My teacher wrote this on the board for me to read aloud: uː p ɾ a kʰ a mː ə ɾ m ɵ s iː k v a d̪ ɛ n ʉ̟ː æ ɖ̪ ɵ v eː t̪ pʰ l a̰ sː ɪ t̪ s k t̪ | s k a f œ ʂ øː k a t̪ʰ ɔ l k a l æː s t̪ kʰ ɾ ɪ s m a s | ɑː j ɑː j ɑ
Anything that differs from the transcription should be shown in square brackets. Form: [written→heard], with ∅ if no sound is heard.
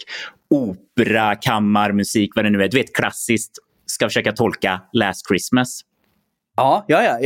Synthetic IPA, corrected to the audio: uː p ɾ a kʰ a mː [ə→a] ɾ m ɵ s iː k v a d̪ ɛ n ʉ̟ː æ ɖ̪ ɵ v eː t̪ [pʰ→kʰ] l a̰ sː ɪ [t̪→∅] s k t̪ | s k a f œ ʂ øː k a t̪ʰ ɔ l k a l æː s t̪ kʰ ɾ ɪ s m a s | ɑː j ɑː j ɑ